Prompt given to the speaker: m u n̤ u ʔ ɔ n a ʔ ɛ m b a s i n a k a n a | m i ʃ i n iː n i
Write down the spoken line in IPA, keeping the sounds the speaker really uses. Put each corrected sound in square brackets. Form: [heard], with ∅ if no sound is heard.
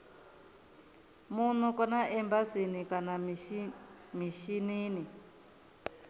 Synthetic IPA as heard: m u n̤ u [k] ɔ n a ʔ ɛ m b a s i n [i] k a n a | m i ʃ i n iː n i

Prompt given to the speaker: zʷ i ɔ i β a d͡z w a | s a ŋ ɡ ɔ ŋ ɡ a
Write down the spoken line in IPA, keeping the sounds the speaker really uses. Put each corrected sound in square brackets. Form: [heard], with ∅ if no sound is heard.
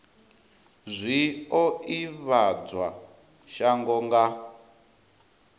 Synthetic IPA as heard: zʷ i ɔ i β a d͡z w a | [ʃ] a ŋ ɡ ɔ ŋ ɡ a

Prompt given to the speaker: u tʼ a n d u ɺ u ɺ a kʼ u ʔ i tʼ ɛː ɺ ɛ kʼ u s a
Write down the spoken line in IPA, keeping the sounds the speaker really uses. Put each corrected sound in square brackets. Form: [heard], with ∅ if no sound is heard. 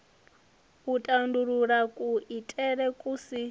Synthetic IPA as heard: u tʼ a n d u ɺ u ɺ a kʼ u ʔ i tʼ [ɛ] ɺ ɛ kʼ u s [i]

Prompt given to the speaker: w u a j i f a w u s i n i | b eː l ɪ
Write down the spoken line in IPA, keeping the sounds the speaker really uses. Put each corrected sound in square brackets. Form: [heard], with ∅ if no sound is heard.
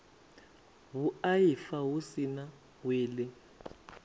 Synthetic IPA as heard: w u a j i f a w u s i n [a] | [w] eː l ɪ

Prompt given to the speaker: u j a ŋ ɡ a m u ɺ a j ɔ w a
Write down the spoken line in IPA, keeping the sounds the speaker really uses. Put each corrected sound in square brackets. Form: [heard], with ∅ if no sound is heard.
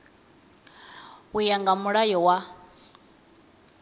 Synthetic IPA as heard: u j a ŋ ɡ a m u ɺ a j ɔ w a

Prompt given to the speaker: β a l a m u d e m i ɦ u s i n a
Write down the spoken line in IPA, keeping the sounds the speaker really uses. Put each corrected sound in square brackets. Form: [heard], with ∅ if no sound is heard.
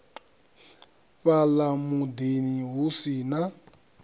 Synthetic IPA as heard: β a l a m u d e [n] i ɦ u s i n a

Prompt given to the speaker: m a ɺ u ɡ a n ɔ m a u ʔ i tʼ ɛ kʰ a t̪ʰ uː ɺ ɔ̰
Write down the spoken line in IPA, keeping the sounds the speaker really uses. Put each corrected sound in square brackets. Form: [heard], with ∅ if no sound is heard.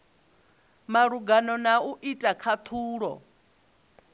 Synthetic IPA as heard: m a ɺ u ɡ a n ɔ [n] a u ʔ i tʼ [a] kʰ a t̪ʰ uː ɺ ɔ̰

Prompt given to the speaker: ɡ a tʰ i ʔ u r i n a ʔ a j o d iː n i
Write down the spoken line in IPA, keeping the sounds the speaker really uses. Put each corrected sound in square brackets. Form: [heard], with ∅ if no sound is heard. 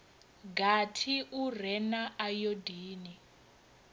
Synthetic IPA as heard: ɡ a tʰ i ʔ u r [ɛ] n a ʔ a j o d iː n i

